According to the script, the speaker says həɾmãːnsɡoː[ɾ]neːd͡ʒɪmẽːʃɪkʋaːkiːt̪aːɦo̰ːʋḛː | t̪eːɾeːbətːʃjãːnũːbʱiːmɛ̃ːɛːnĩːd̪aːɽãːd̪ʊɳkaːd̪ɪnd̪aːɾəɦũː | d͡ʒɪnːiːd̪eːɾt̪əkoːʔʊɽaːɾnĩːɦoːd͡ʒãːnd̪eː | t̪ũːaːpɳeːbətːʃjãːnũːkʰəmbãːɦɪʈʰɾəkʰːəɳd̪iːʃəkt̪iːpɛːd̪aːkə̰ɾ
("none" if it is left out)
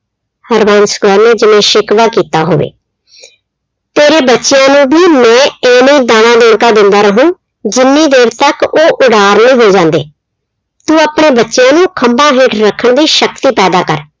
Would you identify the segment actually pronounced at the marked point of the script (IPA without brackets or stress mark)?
ɾ